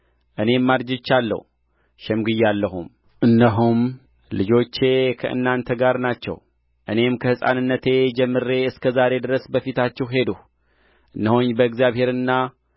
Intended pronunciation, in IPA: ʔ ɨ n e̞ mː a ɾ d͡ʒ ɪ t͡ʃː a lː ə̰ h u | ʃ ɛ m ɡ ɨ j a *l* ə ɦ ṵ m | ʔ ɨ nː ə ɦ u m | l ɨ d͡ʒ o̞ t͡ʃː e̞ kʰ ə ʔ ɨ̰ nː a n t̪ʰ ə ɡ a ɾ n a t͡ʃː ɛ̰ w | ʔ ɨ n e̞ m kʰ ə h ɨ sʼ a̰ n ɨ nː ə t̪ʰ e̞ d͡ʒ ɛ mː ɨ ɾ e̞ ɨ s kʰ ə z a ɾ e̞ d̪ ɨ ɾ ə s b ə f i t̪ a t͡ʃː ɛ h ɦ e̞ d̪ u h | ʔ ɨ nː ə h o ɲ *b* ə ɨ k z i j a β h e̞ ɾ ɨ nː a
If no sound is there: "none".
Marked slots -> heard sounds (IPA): lː, b

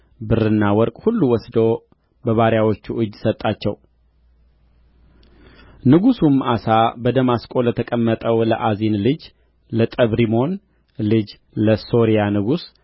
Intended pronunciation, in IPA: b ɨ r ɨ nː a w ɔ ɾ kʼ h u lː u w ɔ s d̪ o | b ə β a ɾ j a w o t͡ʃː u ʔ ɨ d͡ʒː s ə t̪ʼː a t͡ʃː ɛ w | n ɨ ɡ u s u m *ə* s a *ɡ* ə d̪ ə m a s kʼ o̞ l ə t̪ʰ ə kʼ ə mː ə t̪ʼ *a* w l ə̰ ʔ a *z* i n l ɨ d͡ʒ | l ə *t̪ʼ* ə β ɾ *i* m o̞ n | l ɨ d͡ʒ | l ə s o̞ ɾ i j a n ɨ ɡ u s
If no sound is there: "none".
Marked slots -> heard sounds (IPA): a, b, ə, z, t̪ʼ, i

